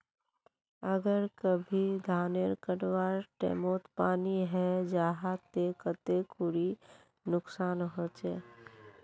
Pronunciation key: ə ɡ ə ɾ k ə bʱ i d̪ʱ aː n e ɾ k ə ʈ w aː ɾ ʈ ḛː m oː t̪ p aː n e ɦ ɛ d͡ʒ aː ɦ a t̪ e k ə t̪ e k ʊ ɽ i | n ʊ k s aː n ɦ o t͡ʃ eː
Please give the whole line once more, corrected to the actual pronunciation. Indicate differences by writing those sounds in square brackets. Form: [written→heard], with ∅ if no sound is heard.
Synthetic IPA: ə ɡ ə ɾ k ə bʱ i d̪ʱ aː n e ɾ k ə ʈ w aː ɾ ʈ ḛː m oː t̪ p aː n [e→i] ɦ ɛ d͡ʒ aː ɦ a t̪ e k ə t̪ e k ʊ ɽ i | n ʊ k s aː n ɦ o t͡ʃ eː